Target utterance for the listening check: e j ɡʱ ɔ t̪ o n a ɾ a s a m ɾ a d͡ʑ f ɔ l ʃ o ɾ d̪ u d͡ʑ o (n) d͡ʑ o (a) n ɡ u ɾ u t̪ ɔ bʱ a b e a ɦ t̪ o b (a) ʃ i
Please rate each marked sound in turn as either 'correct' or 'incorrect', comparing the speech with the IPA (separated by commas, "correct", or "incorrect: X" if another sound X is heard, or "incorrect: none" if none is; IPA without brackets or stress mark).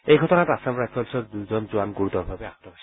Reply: correct, correct, correct